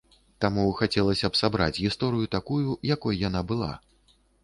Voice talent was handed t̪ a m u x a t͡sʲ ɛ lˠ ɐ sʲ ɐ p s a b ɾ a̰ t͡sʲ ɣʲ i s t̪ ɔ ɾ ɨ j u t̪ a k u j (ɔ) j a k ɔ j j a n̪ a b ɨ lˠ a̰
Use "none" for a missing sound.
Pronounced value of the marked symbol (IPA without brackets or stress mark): u